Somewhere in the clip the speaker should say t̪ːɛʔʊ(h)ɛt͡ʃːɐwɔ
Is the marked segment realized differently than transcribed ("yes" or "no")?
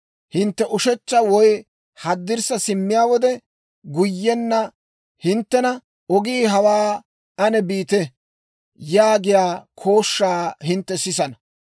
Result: yes